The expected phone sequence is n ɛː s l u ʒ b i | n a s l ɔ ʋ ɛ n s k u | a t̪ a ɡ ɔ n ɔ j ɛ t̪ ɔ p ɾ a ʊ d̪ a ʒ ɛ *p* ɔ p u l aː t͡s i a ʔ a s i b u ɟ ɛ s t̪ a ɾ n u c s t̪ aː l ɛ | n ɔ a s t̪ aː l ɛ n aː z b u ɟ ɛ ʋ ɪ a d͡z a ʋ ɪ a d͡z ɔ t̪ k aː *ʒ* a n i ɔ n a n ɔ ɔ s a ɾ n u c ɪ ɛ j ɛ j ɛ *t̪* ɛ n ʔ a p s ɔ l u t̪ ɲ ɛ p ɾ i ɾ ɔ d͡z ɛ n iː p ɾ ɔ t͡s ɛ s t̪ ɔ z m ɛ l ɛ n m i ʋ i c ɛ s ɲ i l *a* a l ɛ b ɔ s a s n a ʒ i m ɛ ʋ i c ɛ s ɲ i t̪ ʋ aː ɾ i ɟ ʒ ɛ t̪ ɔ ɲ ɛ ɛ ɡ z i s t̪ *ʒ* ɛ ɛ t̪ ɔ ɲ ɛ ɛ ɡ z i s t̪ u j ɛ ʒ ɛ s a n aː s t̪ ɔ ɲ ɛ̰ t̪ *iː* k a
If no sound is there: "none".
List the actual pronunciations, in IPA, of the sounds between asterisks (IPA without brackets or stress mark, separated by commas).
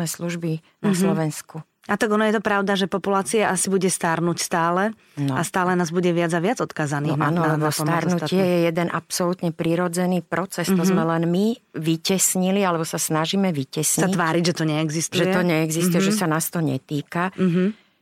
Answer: p, z, d̪, i, ʒ, iː